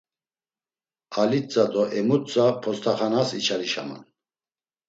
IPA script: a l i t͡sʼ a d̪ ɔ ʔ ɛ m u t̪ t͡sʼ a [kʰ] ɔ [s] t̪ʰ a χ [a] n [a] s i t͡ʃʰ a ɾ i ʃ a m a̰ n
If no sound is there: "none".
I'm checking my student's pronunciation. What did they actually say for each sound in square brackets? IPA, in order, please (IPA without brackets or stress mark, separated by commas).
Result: pʰ, s, a, a